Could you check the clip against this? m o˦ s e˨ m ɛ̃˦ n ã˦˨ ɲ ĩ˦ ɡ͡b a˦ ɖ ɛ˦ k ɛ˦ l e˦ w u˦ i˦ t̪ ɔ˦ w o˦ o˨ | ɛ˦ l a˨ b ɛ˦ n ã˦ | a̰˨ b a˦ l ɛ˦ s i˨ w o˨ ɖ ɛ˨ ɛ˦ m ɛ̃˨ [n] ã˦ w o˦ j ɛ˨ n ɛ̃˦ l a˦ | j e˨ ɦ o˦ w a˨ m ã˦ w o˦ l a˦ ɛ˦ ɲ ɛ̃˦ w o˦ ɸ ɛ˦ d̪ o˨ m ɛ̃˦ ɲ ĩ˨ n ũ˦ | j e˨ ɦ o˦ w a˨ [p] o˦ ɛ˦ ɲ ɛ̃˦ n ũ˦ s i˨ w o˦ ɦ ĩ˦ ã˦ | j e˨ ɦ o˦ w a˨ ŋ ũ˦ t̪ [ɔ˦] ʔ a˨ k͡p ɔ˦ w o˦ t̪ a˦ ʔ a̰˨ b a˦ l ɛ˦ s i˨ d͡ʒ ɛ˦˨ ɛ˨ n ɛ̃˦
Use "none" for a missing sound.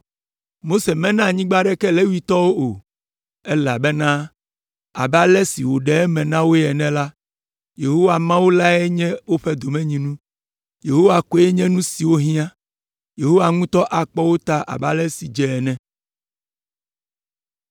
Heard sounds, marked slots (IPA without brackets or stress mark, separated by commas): n, k, ɔ˦